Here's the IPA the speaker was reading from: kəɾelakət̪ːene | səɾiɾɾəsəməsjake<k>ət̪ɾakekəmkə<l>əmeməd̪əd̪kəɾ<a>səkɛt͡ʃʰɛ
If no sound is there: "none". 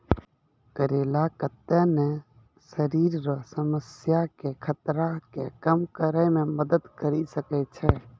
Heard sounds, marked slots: kʰ, ɾ, i

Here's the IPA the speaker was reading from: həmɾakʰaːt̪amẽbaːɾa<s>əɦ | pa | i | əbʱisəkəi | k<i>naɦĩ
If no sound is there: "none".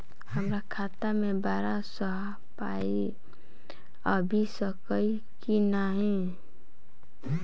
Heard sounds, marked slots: s, i

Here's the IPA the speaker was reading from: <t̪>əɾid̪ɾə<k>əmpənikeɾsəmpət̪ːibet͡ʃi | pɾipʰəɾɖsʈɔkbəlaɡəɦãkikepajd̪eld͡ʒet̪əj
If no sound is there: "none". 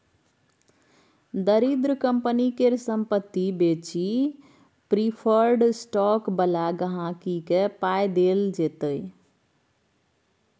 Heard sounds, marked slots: d̪, k

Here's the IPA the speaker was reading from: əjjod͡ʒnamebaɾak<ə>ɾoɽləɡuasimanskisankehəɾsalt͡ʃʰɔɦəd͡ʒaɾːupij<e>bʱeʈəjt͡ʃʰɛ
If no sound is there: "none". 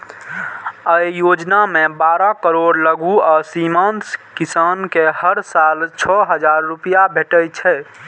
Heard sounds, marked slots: ə, a

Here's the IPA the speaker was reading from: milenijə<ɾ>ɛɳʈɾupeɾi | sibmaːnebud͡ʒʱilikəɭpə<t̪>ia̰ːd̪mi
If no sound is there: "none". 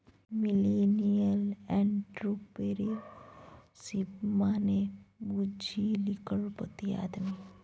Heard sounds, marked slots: l, t̪

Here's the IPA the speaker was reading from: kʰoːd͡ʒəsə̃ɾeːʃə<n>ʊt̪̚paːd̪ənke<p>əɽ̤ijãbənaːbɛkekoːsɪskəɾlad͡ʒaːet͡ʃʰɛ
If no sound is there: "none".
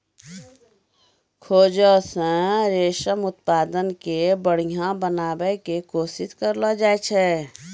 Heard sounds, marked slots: m, b

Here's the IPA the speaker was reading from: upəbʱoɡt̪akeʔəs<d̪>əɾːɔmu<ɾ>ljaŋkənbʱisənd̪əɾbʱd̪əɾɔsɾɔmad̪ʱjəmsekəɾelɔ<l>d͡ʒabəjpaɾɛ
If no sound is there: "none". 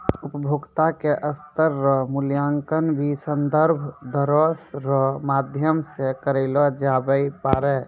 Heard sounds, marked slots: t̪, none, none

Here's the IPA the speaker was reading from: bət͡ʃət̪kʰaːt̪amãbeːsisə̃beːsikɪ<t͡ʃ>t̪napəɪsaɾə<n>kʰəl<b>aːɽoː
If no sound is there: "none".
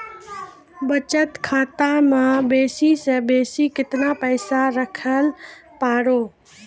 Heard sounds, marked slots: none, none, p

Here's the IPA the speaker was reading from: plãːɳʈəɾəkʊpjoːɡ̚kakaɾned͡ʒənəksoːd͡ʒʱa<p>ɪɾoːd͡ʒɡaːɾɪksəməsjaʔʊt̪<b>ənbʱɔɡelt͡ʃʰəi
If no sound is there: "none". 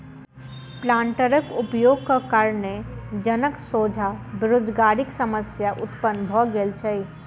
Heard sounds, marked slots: b, p

